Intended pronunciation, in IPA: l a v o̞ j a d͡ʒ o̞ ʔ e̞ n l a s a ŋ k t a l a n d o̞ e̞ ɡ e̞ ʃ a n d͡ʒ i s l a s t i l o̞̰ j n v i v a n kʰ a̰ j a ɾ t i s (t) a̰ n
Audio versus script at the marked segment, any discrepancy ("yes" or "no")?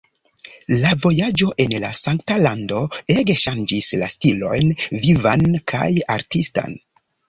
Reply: no